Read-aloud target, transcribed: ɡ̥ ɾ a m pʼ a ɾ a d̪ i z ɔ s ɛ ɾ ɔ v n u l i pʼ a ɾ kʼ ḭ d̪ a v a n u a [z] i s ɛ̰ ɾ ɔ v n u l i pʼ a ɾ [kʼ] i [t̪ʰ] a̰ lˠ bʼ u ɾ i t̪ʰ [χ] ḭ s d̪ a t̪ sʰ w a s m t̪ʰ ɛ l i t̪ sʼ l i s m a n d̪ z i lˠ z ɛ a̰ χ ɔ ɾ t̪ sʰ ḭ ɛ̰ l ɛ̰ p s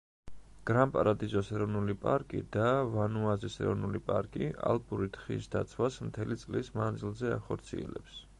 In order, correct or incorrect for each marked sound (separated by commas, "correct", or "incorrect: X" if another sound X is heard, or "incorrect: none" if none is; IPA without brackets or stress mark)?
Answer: correct, correct, incorrect: none, correct